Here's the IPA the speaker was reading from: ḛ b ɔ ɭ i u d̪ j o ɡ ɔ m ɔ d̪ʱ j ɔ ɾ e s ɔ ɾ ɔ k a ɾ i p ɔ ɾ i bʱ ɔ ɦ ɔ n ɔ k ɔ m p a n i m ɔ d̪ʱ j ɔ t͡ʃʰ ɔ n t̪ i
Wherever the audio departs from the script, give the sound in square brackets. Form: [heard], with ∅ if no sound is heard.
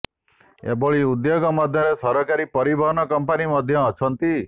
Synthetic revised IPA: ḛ b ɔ ɭ i u d̪ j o ɡ ɔ m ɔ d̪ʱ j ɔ ɾ e s ɔ ɾ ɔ k a ɾ i p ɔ ɾ i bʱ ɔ ɦ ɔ n ɔ k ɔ m p a n i m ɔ d̪ʱ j [ɔː] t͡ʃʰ ɔ n t̪ i